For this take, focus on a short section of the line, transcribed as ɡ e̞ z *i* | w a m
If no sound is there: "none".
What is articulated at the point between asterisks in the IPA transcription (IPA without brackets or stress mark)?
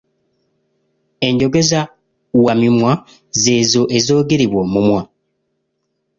a